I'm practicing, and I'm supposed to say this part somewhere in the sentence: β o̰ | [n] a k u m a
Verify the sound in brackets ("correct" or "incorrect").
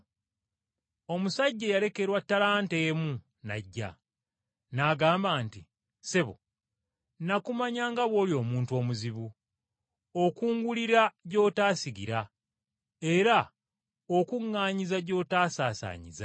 correct